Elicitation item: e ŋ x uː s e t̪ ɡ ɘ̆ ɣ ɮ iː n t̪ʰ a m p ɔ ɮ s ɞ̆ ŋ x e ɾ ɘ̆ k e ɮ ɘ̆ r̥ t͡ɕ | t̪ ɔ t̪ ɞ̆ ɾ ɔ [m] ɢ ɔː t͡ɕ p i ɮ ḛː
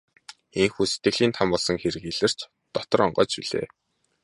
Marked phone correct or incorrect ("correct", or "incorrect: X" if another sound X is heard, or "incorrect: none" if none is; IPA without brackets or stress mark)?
incorrect: ɴ